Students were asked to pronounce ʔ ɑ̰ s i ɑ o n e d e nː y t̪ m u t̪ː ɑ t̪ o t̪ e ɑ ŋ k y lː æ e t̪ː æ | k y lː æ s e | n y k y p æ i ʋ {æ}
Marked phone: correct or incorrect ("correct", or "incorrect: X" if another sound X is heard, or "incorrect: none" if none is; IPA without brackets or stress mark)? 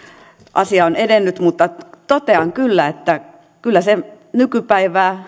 incorrect: æː